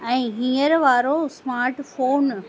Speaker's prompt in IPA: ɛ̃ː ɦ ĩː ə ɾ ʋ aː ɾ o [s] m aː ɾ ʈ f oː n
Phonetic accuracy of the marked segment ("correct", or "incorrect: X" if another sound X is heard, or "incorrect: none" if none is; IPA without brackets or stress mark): correct